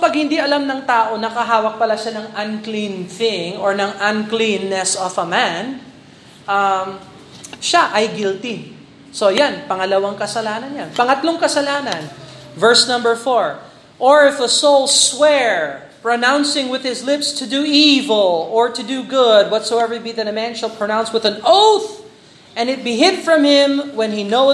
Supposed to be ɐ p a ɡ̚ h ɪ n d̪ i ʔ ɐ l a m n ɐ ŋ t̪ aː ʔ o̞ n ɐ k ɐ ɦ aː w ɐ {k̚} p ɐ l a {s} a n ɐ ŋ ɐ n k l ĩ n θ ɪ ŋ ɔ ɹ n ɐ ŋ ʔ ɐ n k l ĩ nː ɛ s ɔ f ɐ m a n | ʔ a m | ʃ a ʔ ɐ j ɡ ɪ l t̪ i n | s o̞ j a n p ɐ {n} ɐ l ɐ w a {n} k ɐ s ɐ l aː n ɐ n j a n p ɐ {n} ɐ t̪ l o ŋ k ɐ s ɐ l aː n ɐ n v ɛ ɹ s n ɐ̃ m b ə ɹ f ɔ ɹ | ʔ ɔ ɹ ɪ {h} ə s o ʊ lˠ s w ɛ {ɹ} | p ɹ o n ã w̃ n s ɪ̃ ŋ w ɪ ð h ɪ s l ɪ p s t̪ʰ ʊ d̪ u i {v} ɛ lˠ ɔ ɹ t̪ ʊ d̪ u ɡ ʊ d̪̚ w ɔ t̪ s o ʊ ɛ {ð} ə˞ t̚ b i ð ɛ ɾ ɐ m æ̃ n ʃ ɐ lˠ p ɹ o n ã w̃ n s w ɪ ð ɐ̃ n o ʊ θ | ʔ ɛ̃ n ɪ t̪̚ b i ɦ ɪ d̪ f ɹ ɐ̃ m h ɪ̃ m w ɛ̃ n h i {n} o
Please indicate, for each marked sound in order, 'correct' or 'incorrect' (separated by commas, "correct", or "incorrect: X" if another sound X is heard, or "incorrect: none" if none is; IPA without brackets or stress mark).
correct, incorrect: ʃ, incorrect: ŋ, incorrect: ŋ, incorrect: ŋ, incorrect: f, correct, correct, incorrect: v, correct